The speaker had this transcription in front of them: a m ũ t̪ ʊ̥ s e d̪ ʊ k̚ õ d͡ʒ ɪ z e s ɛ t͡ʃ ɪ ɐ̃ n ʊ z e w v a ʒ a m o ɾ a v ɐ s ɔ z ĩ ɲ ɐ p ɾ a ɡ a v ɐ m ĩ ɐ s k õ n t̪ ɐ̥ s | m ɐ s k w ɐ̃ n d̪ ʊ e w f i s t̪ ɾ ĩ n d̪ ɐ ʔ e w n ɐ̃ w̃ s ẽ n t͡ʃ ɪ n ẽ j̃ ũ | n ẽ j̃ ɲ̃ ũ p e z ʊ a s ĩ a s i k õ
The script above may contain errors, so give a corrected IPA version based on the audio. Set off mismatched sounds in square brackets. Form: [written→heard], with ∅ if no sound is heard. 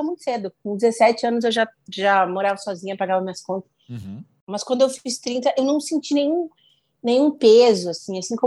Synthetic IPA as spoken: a m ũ t̪ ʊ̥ s e d̪ ʊ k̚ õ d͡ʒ ɪ z e s ɛ t͡ʃ ɪ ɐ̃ n ʊ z e w [v→ʒ] a ʒ a m o ɾ a v ɐ s ɔ z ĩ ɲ ɐ p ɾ a ɡ a v ɐ m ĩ ɐ s k õ n t̪ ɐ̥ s | m ɐ s k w ɐ̃ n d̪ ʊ e w f i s t̪ ɾ ĩ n [d̪→t̪] ɐ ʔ e w n ɐ̃ w̃ s ẽ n t͡ʃ [ɪ→i] n ẽ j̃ ũ | n ẽ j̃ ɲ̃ ũ p e z ʊ a s ĩ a s [i→ĩ] k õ